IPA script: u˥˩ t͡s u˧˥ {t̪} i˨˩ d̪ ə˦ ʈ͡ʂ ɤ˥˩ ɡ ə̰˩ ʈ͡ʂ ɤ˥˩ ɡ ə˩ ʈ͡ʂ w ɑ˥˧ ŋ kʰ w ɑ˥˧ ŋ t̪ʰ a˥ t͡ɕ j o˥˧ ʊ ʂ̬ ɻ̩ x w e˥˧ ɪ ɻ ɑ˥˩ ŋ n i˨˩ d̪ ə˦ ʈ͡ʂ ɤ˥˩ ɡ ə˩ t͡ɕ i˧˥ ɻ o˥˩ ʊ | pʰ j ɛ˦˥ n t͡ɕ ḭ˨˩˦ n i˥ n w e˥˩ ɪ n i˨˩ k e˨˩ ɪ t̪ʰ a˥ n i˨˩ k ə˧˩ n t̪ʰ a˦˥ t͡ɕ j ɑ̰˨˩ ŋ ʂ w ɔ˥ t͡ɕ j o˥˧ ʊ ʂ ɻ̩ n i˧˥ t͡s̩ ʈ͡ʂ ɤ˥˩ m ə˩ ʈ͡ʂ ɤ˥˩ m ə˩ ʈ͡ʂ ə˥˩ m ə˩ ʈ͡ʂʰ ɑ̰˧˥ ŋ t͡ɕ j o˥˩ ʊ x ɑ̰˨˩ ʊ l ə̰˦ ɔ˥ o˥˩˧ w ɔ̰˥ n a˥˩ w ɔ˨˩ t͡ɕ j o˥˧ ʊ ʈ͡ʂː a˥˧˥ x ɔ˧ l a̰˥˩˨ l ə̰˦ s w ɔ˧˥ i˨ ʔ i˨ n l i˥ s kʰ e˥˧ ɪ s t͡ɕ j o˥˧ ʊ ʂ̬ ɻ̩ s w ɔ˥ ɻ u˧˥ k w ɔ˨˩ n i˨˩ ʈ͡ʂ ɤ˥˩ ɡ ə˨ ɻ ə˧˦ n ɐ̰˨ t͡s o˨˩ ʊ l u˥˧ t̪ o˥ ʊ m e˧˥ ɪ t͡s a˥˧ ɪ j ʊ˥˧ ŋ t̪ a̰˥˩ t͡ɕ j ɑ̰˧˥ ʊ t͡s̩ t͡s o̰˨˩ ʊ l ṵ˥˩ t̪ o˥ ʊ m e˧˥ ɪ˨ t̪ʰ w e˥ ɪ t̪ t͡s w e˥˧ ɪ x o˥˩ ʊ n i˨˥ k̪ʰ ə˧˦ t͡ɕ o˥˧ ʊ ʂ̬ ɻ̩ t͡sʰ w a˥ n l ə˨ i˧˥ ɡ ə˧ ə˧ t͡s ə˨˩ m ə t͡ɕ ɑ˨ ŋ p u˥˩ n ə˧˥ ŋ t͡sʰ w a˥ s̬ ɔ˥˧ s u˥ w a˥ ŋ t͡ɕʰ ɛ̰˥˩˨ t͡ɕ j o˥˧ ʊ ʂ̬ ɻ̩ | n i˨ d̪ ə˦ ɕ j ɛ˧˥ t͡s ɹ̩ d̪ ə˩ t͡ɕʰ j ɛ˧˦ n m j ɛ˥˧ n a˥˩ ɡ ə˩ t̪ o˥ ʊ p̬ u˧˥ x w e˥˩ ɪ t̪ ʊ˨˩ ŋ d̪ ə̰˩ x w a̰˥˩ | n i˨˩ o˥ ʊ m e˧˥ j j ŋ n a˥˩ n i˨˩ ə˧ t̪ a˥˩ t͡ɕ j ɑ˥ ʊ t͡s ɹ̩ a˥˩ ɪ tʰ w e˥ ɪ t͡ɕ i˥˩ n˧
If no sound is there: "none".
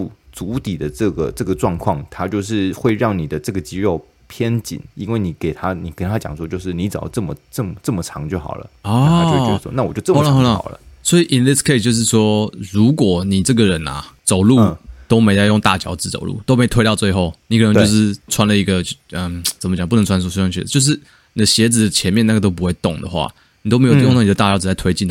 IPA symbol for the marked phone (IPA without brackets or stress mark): t̪